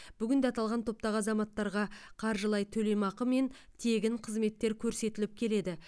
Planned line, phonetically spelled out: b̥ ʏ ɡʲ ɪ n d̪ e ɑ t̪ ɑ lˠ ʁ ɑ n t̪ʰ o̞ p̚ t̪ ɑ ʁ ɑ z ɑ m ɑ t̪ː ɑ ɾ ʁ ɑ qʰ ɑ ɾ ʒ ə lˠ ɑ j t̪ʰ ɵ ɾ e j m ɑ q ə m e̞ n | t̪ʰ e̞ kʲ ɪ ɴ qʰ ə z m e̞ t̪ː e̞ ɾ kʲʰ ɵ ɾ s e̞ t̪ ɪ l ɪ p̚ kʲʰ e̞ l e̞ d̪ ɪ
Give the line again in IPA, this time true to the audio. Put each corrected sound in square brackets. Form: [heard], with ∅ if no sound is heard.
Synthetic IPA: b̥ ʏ ɡʲ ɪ n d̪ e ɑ t̪ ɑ lˠ ʁ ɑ n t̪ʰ o̞ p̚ t̪ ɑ ʁ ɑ z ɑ m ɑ t̪ː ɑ ɾ ʁ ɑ qʰ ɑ ɾ ʒ ə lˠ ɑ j t̪ʰ ɵ [l] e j m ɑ q ə m e̞ n | t̪ʰ e̞ [ɡʲ] ɪ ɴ qʰ ə z m e̞ t̪ː e̞ ɾ kʲʰ ɵ ɾ s e̞ t̪ ɪ l ɪ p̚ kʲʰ e̞ l e̞ d̪ ɪ

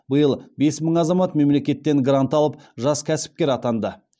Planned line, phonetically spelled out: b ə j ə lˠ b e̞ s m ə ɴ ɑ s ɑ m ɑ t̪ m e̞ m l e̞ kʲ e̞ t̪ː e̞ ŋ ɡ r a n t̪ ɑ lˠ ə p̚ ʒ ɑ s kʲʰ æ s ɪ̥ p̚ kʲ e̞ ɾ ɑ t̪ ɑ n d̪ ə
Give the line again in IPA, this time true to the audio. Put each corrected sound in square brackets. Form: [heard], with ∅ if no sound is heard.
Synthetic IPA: b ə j ə lˠ b e̞ s m ə ɴ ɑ [z] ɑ m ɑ t̪ m e̞ m l e̞ kʲ e̞ t̪ː e̞ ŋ ɡ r a n t̪ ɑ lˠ ə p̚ ʒ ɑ s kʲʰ æ s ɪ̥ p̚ kʲ e̞ ɾ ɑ t̪ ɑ n d̪ ə

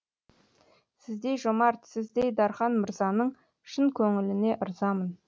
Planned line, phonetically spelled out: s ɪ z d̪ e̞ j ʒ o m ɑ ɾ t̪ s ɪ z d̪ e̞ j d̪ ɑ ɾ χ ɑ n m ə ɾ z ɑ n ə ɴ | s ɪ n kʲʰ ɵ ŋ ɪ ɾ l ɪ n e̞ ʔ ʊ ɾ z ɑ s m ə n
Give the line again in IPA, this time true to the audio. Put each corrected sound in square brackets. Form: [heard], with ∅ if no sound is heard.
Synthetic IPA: s ɪ z d̪ e̞ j ʒ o m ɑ ɾ t̪ s ɪ z d̪ e̞ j d̪ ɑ ɾ χ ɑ n m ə ɾ z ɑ n ə ɴ | [ʃ] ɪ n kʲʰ ɵ ŋ ɪ [∅] l ɪ n e̞ ʔ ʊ ɾ z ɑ [∅] m ə n

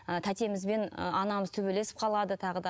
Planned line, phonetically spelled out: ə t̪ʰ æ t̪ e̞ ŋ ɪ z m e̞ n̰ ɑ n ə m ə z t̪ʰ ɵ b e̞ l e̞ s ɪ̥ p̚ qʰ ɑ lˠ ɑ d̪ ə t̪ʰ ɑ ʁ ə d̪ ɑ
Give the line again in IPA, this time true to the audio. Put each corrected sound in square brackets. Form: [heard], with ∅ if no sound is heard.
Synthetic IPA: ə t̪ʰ æ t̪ e̞ [m] ɪ z [b] e̞ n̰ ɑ n [ɑ] m ə z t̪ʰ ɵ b e̞ l e̞ s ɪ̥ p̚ qʰ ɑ lˠ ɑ d̪ ə t̪ʰ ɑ ʁ ə d̪ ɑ

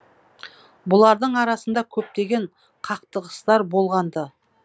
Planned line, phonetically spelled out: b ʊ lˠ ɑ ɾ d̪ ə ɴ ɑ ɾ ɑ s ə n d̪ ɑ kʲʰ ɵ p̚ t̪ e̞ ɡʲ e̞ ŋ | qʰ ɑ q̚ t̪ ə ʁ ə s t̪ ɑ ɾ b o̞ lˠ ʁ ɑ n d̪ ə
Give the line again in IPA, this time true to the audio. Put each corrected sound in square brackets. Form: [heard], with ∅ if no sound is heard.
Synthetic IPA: b ʊ lˠ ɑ ɾ d̪ ə ɴ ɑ ɾ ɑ s ə n d̪ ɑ kʲʰ ɵ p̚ t̪ e̞ ɡʲ e̞ [ɴ] | qʰ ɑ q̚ t̪ ə ʁ ə s t̪ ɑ ɾ b o̞ lˠ ʁ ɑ n d̪ ə

